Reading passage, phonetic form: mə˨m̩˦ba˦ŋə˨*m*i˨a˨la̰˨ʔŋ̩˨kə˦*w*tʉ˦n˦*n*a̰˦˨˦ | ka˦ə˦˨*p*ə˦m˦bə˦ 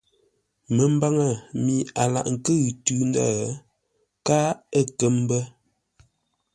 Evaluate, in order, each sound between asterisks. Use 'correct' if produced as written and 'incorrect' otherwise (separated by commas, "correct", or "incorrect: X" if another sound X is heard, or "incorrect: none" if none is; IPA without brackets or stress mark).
correct, incorrect: ɣ, incorrect: d, incorrect: k